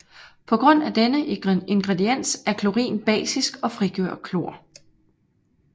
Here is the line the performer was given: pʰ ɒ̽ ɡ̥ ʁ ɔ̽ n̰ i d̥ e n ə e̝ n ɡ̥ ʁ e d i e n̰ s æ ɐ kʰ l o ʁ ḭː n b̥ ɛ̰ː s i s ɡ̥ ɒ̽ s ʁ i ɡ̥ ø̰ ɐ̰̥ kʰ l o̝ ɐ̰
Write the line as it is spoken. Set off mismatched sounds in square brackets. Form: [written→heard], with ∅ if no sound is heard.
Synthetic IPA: pʰ ɒ̽ ɡ̥ ʁ ɔ̽ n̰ [i→æ] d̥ e n ə e̝ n ɡ̥ ʁ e d i e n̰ s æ ɐ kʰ l o ʁ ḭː n b̥ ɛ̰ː s i s ɡ̥ ɒ̽ [s→f] ʁ i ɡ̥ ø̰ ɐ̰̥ kʰ l o̝ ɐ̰